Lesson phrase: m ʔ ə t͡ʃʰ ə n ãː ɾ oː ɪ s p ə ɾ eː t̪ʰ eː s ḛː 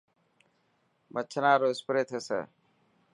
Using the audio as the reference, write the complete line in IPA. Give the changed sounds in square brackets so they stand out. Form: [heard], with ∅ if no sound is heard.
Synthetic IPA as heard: m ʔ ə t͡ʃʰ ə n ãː ɾ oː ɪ s p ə ɾ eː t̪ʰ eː s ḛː